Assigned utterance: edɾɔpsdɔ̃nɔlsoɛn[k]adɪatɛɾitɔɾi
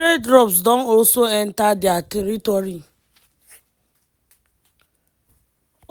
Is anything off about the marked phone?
yes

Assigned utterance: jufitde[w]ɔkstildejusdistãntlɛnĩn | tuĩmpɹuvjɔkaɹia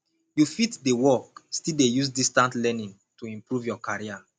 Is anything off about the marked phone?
no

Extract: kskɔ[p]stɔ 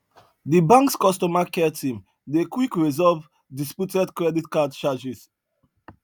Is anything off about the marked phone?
yes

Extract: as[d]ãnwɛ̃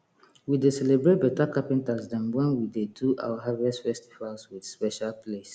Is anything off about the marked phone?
no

